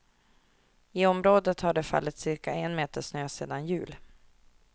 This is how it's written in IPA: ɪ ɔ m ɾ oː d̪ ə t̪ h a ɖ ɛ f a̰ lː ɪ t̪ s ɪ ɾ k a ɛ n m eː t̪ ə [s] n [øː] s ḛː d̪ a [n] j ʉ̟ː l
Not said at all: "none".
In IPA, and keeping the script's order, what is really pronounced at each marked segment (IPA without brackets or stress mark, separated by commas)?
ʂ, øː, n